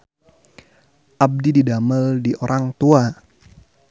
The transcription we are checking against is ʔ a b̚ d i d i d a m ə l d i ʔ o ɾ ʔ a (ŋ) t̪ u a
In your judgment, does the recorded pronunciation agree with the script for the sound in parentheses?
yes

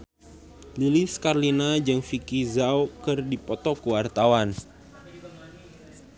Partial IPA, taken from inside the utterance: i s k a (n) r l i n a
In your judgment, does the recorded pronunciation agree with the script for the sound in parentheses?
no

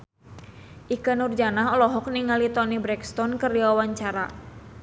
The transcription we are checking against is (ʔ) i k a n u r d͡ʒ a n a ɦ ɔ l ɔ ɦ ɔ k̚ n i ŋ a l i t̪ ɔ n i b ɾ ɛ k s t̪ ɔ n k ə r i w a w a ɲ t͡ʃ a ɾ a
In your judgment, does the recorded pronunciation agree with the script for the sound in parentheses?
yes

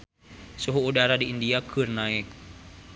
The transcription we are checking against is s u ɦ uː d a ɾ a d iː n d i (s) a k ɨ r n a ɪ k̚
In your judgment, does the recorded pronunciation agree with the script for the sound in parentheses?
no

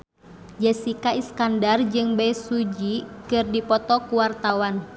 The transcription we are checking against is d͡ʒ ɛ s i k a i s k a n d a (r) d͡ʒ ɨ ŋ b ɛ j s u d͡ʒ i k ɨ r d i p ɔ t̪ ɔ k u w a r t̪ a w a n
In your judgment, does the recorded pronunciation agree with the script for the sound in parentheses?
yes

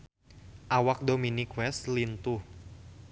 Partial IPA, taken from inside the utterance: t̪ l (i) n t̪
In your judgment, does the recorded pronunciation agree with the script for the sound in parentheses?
yes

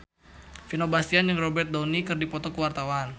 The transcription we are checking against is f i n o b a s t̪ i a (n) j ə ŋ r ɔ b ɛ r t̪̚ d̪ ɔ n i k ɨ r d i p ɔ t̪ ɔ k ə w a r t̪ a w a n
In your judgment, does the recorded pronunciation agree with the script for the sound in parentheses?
yes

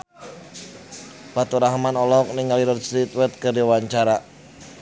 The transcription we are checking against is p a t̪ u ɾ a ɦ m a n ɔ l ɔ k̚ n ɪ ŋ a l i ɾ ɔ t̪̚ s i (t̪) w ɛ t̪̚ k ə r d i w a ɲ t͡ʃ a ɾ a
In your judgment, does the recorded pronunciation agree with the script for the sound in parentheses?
yes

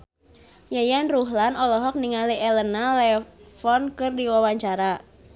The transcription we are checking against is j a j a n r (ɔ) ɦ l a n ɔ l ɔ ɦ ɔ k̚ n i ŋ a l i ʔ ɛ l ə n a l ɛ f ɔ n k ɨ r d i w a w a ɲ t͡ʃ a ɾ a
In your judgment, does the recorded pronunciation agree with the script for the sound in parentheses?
no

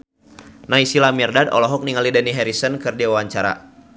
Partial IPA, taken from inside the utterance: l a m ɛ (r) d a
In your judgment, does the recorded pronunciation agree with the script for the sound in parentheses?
yes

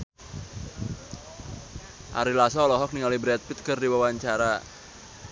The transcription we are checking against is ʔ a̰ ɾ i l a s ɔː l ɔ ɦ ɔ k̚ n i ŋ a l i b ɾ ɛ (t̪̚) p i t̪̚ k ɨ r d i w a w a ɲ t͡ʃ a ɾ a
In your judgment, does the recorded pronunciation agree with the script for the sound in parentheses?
yes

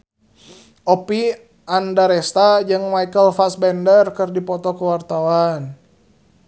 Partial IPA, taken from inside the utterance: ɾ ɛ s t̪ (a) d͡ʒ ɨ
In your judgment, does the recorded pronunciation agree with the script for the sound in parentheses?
yes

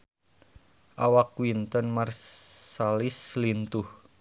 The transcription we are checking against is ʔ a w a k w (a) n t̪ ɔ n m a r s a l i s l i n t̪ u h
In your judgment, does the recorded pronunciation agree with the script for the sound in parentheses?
no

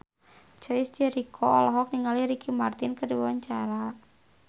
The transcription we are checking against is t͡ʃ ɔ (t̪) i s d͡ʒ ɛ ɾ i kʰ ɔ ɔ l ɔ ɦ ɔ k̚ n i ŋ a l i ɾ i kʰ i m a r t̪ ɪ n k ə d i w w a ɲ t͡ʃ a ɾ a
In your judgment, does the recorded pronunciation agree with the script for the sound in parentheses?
no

